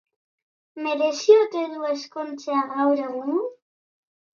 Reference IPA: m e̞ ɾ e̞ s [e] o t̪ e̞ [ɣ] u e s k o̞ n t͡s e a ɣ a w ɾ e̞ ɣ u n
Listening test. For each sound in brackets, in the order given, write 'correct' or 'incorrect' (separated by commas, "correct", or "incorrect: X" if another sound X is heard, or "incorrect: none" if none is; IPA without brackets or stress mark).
incorrect: i, incorrect: ð